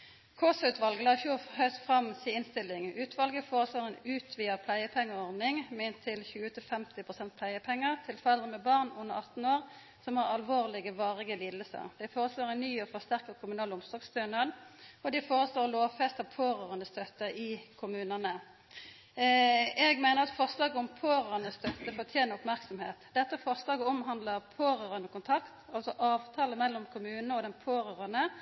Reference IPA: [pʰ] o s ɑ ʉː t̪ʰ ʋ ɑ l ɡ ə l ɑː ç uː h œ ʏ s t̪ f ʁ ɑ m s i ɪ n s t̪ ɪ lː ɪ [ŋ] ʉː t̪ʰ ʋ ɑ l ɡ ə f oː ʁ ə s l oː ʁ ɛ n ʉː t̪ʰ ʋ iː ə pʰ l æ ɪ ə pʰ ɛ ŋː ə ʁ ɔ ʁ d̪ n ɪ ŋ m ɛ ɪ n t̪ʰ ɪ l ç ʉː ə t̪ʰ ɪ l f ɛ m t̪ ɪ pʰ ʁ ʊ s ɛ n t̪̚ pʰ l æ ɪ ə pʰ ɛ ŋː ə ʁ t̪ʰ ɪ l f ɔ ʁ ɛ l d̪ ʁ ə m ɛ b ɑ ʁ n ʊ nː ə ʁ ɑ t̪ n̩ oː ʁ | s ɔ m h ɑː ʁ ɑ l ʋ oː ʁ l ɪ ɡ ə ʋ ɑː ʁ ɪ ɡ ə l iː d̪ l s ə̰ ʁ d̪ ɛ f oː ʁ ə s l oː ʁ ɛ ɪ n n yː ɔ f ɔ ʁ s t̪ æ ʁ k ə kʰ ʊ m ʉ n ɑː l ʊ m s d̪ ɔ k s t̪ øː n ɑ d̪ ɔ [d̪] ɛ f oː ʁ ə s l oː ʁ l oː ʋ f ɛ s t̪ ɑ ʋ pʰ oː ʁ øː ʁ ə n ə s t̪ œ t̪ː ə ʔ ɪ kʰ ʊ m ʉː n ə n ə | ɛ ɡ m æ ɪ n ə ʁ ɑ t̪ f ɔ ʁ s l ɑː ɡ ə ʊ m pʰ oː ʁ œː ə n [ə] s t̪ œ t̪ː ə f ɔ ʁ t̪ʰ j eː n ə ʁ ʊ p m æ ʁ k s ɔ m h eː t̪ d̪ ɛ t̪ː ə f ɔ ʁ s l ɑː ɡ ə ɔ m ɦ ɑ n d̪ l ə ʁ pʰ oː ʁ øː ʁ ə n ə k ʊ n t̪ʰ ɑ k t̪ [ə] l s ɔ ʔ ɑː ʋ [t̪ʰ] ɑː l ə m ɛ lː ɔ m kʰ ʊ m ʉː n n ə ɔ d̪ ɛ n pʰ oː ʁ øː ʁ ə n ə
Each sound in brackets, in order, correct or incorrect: incorrect: kʰ, correct, correct, correct, incorrect: ɑ, correct

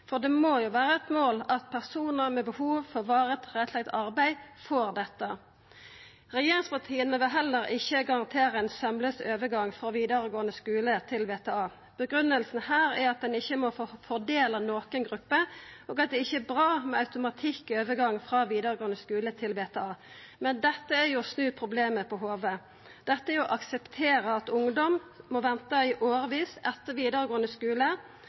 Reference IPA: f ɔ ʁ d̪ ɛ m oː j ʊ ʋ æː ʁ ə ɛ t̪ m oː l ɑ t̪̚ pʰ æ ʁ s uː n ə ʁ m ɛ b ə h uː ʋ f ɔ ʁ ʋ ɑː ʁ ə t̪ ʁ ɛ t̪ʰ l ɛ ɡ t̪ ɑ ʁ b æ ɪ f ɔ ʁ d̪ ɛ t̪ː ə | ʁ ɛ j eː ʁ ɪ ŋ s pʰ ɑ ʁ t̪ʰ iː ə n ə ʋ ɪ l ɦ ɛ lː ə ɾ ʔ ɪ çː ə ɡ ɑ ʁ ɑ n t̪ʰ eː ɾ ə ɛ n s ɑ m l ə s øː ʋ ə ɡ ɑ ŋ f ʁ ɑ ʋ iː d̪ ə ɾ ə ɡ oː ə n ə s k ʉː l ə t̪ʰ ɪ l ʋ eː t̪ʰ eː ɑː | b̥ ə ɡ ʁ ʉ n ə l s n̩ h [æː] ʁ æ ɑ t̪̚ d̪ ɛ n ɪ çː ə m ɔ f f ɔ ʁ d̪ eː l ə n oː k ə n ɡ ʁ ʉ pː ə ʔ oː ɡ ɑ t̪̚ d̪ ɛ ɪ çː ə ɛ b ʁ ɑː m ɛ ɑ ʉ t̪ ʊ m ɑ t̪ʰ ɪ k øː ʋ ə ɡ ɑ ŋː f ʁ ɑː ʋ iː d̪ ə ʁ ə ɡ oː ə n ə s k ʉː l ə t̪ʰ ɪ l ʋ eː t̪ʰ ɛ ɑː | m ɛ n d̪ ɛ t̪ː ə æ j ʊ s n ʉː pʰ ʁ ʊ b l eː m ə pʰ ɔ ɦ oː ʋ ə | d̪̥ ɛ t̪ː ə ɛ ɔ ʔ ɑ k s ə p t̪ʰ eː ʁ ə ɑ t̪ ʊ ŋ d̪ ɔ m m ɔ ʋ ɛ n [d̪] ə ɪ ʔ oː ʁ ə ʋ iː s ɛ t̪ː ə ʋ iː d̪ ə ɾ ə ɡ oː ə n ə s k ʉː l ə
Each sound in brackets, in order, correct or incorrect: correct, incorrect: t̪

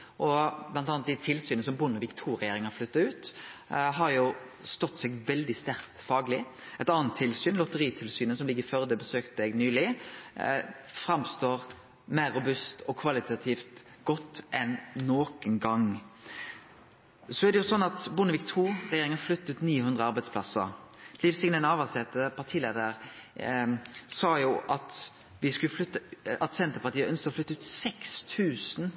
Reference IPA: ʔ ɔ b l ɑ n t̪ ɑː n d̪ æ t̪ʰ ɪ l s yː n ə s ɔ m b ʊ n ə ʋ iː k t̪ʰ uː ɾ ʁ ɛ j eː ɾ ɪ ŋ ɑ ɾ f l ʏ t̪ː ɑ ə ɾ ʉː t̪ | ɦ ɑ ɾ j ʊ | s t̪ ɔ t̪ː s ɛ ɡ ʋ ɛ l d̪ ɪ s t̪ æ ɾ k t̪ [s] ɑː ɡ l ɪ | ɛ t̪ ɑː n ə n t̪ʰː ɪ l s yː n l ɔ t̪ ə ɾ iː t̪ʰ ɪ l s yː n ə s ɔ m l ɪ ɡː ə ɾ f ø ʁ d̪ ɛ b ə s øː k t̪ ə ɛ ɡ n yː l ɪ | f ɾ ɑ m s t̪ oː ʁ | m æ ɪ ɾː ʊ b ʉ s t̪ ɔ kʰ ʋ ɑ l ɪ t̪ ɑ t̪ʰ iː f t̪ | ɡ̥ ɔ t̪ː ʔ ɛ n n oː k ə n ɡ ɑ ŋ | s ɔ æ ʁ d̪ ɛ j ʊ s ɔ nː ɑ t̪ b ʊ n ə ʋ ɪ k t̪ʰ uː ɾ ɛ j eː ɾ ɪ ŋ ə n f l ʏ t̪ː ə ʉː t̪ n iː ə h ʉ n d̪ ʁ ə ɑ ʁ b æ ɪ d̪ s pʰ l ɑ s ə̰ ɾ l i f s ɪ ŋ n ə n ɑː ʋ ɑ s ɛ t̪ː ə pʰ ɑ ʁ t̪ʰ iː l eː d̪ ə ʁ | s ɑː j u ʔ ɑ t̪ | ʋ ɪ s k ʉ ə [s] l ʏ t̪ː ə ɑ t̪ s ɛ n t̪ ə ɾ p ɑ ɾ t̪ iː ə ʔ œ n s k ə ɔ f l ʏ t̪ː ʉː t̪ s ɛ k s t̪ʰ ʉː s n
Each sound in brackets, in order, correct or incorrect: incorrect: f, incorrect: f

